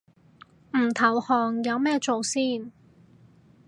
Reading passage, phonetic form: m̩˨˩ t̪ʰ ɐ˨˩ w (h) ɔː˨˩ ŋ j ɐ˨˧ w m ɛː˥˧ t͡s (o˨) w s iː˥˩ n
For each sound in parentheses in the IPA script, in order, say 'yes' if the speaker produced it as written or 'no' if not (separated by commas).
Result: yes, yes